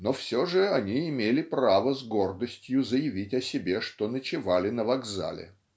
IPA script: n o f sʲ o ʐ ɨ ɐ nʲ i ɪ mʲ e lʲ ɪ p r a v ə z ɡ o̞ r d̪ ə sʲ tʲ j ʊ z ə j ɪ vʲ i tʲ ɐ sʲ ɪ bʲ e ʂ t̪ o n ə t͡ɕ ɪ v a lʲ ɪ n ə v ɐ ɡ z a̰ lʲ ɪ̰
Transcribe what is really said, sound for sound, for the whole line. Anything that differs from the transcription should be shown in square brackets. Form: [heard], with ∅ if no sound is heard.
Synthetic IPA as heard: n o f sʲ o ʐ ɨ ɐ nʲ i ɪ mʲ e lʲ ɪ p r a v ə z ɡ o̞ r d̪ ə sʲ tʲ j ʊ z ə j ɪ vʲ i tʲ ɐ sʲ ɪ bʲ e ʂ t̪ o n ə t͡ɕ ɪ v a lʲ ɪ n ə v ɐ ɡ z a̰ lʲ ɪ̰